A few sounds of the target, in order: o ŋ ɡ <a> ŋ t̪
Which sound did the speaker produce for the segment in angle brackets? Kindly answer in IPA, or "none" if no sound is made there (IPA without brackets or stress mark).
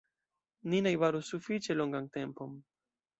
a